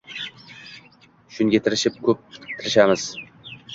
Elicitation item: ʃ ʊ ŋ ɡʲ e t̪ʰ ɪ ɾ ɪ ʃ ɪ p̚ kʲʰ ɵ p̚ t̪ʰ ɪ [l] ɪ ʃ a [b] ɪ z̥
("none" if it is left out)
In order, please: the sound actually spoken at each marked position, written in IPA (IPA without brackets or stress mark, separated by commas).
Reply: ɾ, m